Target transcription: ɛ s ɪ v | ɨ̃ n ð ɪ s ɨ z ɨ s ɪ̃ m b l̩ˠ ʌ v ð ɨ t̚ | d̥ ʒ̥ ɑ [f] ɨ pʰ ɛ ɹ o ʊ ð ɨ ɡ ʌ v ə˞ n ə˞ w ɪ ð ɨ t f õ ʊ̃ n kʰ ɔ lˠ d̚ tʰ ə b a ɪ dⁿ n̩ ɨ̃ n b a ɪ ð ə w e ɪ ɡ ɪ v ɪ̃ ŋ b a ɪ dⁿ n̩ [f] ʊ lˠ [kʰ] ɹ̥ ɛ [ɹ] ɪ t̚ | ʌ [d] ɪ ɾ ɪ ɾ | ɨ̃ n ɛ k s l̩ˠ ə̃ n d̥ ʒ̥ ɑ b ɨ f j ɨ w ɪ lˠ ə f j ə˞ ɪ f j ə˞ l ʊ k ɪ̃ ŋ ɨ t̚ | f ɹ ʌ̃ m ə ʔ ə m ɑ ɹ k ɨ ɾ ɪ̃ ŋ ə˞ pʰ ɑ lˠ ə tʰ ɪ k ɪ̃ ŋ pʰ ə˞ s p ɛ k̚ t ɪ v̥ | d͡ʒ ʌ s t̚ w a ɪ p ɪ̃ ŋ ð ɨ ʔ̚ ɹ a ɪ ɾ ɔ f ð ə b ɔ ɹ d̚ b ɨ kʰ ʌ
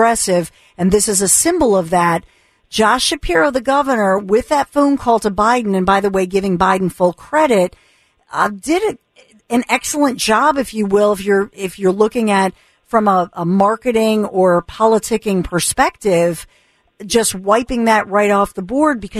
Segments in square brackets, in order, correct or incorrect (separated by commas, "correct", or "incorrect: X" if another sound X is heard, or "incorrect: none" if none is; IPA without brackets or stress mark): incorrect: ʃ, correct, correct, incorrect: ɾ, correct